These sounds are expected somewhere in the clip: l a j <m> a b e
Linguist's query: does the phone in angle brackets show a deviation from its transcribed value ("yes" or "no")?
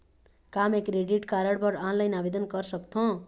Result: yes